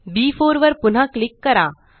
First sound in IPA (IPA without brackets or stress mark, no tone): b